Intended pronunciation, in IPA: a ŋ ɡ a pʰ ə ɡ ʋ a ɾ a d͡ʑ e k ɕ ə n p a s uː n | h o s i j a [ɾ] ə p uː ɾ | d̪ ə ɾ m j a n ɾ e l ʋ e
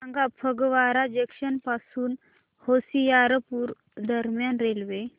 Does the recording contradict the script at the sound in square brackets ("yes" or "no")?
no